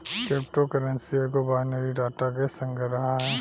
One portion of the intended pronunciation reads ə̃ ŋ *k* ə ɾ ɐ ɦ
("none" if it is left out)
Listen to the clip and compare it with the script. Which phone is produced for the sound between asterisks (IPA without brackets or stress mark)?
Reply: ɡ